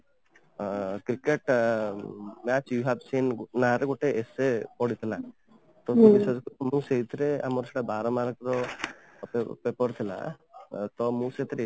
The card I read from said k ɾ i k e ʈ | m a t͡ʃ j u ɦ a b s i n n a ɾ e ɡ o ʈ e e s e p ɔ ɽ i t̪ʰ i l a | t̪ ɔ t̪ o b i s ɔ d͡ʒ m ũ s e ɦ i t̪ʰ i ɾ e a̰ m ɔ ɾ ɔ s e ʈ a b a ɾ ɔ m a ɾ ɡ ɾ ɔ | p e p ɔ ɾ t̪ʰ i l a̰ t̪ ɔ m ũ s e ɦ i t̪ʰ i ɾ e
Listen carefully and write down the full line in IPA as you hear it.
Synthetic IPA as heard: k ɾ i k e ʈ | m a t͡ʃ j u ɦ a b s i n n a ɾ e ɡ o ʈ e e s e p ɔ ɽ i t̪ʰ i l a | t̪ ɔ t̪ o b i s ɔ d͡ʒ m ũ s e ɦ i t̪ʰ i ɾ e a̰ m ɔ ɾ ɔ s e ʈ a b a ɾ ɔ m a ɾ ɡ ɾ ɔ | p e p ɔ ɾ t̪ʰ i l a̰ t̪ ɔ m ũ s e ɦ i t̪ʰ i ɾ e

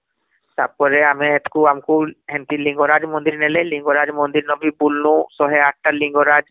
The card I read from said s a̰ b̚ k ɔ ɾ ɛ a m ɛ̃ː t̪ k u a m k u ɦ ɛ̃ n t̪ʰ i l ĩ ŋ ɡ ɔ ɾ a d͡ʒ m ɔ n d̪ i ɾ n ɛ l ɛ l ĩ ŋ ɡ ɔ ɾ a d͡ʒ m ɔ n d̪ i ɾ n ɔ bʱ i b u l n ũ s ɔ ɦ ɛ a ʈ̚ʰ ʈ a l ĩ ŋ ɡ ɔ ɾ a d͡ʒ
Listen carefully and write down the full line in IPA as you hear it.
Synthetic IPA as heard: s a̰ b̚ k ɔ ɾ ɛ a m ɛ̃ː t̪ k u a m k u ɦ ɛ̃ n t̪ i l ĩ ŋ ɡ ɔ ɾ a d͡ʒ m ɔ n d̪ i ɾ n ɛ l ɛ l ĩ ŋ ɡ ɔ ɾ a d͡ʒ m ɔ n d̪ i ɾ n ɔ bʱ i b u l n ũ s ɔ ɦ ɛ a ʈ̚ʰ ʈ a l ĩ ŋ ɡ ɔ ɾ a d͡ʒ

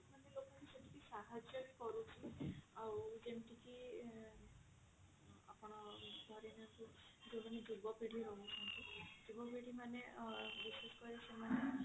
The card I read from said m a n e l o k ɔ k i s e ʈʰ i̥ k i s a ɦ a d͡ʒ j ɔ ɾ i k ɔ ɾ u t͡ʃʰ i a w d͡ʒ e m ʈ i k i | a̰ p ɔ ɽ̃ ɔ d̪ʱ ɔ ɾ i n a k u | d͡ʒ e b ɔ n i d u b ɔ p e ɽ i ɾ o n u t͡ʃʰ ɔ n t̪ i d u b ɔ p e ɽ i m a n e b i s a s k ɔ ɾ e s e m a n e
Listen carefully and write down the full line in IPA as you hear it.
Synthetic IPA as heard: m a n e l o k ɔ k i s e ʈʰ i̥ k i s a ɦ a d͡ʒ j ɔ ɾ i k ɔ ɾ u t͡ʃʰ i a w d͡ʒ e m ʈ i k i | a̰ p ɔ ɽ̃ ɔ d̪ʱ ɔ ɾ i n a k u | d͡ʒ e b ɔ n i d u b ɔ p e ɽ i ɾ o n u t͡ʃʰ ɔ n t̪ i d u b ɔ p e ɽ i m a n e b i s e s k ɔ ɾ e s e m a n e

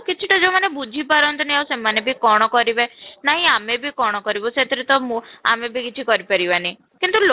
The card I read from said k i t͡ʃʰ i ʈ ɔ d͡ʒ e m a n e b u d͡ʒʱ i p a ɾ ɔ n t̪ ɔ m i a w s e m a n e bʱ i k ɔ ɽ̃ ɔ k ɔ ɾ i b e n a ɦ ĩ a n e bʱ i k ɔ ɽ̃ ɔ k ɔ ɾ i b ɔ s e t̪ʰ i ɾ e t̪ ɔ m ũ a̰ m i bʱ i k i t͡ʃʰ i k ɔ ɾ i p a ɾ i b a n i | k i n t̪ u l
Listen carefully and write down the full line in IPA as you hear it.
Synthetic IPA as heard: k i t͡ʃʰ i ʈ ɔ d͡ʒ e m a n e b u d͡ʒʱ i p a ɾ ɔ n t̪ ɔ n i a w s e m a n e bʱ i k ɔ ɽ̃ ɔ k ɔ ɾ i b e n a ɦ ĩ a m e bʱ i k ɔ ɽ̃ ɔ k ɔ ɾ i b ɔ s e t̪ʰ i ɾ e t̪ ɔ m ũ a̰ m e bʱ i k i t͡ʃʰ i k ɔ ɾ i p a ɾ i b a n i | k i n t̪ u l

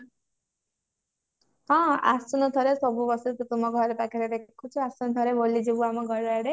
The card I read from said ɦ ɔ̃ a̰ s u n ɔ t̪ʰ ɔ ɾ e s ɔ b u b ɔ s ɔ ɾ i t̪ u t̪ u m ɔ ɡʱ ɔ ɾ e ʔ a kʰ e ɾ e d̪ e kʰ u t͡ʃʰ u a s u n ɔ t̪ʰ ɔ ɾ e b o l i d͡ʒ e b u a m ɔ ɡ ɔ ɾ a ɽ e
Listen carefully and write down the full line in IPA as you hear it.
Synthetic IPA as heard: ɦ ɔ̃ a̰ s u n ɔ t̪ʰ ɔ ɾ e s ɔ b u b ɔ s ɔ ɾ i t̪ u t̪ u m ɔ ɡʱ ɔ ɾ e p a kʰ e ɾ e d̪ e kʰ u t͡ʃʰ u a s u n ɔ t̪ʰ ɔ ɾ e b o l i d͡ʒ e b u a m ɔ ɡ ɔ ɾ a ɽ e

